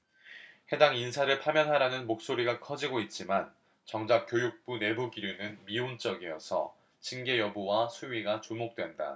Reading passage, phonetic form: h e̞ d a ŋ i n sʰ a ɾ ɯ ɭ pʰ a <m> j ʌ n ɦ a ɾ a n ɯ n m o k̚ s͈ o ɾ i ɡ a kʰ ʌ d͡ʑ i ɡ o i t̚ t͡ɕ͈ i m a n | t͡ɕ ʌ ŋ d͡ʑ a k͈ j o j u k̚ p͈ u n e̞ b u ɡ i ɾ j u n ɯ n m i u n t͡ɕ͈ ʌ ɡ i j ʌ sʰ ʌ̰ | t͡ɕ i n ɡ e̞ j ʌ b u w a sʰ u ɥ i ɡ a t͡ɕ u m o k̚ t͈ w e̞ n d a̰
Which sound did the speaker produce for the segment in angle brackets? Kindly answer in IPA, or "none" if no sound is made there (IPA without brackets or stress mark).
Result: m